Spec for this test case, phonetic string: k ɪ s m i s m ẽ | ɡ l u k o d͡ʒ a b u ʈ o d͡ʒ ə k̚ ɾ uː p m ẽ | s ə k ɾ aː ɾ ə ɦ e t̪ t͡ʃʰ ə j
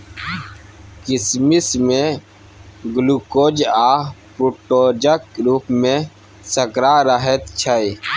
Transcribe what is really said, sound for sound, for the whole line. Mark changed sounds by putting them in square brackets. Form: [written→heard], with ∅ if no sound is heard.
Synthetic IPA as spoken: k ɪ s m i s m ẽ | ɡ l u k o d͡ʒ a [b→p] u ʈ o d͡ʒ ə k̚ ɾ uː p m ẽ | s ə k ɾ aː ɾ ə ɦ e t̪ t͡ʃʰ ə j